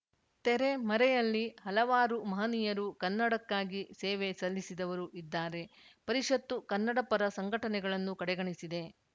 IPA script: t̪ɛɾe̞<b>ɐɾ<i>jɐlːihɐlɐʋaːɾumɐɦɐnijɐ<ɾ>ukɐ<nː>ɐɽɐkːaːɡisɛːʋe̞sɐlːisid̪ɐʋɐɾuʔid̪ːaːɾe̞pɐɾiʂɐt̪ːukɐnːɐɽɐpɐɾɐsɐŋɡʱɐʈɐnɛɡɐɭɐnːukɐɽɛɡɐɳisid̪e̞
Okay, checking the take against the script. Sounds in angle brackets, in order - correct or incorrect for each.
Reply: incorrect, incorrect, correct, correct

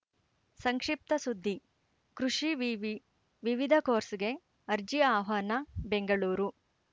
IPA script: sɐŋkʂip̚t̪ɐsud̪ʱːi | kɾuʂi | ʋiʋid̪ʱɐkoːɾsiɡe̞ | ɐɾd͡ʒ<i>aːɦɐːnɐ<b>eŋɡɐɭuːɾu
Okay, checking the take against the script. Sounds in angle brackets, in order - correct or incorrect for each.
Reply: correct, correct

